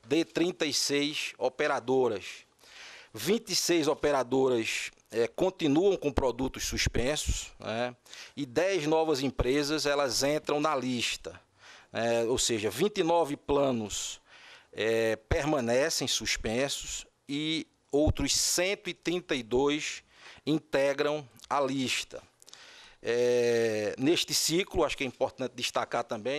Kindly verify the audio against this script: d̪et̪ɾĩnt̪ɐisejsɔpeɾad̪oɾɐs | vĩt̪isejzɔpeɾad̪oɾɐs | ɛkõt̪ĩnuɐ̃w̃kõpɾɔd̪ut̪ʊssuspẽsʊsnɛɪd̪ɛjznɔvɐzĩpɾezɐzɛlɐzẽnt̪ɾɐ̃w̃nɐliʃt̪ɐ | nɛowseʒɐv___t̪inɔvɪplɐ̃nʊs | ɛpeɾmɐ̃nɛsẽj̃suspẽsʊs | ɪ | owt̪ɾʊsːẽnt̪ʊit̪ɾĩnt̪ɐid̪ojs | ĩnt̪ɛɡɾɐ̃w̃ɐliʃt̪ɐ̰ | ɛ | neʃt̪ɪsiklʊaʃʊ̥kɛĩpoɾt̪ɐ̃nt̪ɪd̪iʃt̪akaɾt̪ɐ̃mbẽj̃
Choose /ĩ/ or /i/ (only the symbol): ĩ